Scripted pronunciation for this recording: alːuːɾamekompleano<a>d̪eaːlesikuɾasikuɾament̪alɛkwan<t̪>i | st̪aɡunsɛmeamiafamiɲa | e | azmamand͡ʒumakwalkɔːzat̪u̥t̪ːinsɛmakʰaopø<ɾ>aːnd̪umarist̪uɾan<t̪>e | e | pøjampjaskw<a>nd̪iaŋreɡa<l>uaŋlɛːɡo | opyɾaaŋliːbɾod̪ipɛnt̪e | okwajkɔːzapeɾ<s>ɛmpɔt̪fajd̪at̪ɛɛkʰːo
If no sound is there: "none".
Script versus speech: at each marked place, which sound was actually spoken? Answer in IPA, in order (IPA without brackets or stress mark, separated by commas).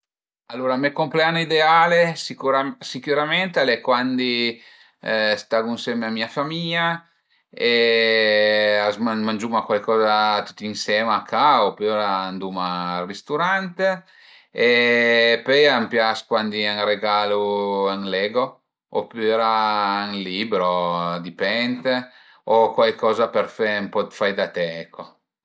i, d̪, ɾ, t̪, a, l, f